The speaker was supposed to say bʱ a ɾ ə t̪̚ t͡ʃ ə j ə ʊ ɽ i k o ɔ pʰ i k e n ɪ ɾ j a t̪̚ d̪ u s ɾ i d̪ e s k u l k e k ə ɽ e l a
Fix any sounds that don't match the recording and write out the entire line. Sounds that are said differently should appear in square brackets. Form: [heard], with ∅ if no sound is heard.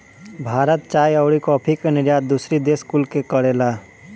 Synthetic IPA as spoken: bʱ a ɾ ə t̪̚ t͡ʃ [a] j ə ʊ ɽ i k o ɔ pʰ i k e n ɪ ɾ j a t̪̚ d̪ u s ɾ i d̪ e s k u l k e k ə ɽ e l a